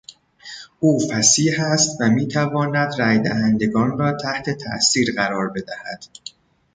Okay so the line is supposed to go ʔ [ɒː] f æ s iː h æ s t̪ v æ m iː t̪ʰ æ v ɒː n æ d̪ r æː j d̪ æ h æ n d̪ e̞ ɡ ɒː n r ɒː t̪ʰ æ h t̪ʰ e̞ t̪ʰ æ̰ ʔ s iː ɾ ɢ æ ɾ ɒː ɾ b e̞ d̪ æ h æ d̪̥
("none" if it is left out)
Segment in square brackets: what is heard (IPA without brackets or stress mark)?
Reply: uː